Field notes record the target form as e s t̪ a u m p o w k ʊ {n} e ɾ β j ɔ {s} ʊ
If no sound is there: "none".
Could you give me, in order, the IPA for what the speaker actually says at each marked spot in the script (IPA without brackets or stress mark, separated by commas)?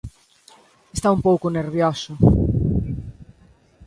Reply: n, s